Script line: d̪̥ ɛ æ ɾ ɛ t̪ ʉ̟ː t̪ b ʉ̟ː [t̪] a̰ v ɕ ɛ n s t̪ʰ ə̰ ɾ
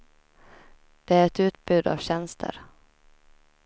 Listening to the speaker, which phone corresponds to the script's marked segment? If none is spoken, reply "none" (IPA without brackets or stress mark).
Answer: d̪